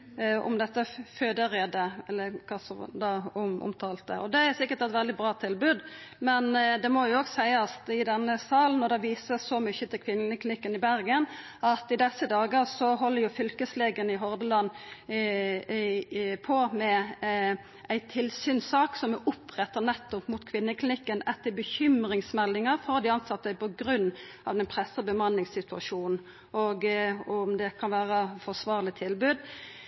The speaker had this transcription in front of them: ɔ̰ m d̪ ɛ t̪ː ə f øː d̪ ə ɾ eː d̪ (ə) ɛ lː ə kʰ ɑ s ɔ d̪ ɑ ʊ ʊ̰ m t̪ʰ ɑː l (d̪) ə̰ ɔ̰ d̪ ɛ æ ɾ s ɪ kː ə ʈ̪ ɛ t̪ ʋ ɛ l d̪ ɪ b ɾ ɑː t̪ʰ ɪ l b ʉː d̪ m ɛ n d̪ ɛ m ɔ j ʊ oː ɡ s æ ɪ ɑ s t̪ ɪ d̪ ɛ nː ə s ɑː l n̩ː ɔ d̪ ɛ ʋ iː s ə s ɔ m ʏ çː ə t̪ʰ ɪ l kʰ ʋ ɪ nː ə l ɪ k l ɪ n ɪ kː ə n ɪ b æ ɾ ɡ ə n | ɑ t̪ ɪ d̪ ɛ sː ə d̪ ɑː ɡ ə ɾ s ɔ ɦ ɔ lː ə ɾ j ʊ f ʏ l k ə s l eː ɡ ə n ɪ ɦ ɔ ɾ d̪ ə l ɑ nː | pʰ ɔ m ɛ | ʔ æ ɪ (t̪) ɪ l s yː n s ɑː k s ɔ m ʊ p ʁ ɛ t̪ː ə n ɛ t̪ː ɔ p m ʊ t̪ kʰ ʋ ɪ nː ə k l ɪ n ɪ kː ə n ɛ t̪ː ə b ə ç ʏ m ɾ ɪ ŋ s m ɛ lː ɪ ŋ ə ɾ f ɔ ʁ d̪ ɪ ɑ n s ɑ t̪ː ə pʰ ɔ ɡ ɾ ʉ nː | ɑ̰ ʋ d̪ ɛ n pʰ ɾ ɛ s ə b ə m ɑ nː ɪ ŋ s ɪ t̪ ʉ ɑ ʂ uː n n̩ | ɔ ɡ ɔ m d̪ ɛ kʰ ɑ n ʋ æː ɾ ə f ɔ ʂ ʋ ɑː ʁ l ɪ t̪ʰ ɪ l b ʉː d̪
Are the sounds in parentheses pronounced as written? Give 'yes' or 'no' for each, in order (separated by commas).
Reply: yes, no, no